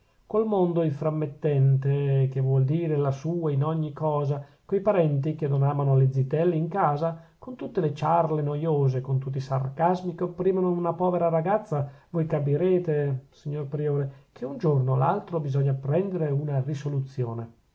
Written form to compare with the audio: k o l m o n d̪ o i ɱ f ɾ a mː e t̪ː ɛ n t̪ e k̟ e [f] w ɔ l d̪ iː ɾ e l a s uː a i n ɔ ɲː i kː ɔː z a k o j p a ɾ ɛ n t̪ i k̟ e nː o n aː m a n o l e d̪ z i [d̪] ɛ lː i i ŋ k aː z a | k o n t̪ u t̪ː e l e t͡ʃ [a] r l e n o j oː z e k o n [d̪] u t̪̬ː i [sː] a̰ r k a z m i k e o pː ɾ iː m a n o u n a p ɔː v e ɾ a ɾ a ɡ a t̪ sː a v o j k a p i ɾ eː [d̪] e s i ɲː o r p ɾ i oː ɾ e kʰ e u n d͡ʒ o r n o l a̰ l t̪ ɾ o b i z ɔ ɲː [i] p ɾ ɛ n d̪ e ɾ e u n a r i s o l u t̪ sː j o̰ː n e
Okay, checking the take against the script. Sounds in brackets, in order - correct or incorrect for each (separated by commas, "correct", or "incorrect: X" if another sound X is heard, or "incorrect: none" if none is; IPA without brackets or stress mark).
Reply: incorrect: v, incorrect: t̪, correct, incorrect: t̪, incorrect: s, incorrect: t̪, incorrect: a